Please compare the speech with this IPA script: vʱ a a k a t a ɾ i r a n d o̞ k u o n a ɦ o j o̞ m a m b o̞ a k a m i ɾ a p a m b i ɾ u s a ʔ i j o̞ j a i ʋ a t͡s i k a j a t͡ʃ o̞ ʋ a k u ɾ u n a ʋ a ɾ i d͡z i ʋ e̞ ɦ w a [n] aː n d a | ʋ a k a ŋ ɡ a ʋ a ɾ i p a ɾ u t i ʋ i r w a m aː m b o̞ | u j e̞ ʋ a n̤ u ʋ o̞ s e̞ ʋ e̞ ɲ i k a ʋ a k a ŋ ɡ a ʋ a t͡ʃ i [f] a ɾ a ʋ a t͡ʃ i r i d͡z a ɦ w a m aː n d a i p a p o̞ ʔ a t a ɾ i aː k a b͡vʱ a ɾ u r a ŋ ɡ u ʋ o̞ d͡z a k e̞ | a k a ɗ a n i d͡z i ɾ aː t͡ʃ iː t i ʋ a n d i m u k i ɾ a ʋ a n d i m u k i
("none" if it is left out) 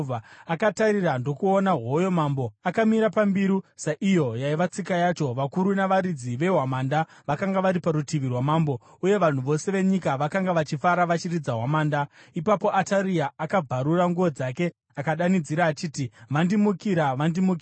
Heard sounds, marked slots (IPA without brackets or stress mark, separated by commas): m, f